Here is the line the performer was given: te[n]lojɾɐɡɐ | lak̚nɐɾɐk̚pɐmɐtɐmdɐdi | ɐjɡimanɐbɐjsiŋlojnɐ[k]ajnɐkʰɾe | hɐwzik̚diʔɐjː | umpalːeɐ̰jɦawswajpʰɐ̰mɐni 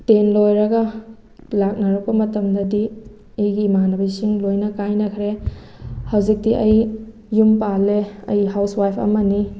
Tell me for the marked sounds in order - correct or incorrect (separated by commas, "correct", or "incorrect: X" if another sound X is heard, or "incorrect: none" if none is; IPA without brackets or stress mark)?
correct, correct